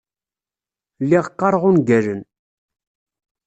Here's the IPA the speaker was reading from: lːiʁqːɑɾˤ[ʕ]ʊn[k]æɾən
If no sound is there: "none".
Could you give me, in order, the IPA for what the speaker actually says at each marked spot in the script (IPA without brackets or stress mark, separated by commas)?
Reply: ʁ, ɡ